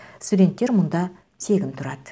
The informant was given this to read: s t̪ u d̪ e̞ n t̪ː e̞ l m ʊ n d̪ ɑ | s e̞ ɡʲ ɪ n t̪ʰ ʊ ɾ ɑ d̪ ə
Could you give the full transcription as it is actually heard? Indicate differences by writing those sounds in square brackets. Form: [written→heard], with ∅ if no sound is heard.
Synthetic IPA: s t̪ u d̪ e̞ n t̪ː e̞ [l→ɾ] m ʊ n d̪ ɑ | s e̞ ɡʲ ɪ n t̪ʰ ʊ ɾ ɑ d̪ ə